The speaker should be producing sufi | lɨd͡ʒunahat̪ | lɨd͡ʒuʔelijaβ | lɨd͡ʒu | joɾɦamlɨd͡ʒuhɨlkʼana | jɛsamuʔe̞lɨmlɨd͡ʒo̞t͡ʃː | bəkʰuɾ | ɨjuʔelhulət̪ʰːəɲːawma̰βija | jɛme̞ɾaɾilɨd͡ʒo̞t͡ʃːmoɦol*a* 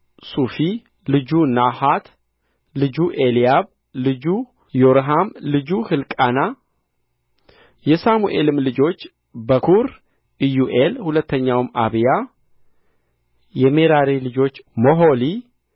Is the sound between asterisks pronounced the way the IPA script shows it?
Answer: no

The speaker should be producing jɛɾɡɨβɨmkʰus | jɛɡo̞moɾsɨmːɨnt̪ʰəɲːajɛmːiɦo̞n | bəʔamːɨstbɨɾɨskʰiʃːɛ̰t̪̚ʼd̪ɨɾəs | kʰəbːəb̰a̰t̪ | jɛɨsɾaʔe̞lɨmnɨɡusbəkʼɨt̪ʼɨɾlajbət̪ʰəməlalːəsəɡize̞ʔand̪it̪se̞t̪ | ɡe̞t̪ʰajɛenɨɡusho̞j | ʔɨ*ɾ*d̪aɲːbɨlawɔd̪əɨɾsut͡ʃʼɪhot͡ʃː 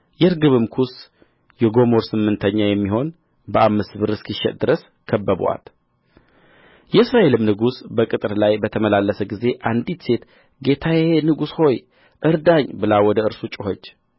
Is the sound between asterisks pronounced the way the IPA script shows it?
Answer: yes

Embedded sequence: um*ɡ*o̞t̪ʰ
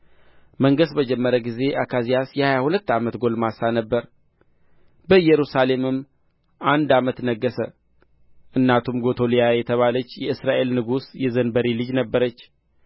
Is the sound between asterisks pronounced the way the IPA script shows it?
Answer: yes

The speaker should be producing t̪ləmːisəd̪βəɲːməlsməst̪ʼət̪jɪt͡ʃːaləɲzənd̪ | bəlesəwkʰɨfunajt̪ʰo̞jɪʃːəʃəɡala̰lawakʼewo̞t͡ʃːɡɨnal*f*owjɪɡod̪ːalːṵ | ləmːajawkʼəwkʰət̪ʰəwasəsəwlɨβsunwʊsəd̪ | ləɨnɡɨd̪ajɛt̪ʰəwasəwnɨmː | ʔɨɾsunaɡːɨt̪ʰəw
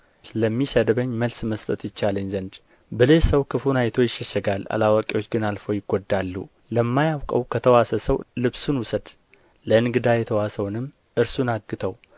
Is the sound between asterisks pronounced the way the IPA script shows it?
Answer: yes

